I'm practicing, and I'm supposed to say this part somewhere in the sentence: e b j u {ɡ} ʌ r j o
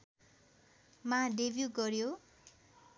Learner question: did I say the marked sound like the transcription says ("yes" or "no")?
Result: yes